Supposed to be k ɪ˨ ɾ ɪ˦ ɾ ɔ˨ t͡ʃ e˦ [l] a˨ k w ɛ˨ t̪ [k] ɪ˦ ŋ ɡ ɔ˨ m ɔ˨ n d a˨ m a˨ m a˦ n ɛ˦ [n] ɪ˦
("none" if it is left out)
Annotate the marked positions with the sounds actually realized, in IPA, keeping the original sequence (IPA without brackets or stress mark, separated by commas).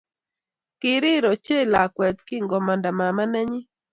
l, k, ɲ